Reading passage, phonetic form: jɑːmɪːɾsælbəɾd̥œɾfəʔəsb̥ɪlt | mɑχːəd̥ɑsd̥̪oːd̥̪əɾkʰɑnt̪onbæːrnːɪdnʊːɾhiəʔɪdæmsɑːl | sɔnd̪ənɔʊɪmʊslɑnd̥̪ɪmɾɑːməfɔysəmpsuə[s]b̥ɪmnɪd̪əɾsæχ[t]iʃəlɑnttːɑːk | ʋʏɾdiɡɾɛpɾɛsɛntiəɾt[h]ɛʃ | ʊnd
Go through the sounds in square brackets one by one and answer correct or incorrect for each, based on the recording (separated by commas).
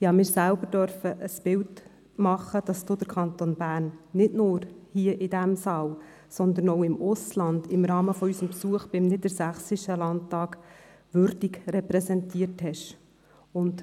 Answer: incorrect, incorrect, correct